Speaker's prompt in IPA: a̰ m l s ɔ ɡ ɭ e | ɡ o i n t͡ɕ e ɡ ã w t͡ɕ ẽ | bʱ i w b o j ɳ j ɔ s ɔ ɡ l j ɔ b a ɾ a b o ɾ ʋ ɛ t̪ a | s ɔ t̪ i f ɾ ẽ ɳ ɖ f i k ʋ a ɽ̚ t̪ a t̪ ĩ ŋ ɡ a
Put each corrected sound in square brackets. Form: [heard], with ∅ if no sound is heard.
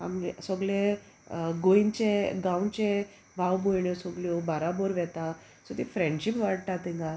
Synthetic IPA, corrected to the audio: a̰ m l s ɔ ɡ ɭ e | ɡ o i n t͡ɕ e ɡ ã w t͡ɕ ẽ | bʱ [a] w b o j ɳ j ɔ s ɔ ɡ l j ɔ b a ɾ a b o ɾ ʋ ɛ t̪ a | s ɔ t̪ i f ɾ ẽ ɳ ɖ [ɕ] i [p] ʋ a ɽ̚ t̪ a t̪ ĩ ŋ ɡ a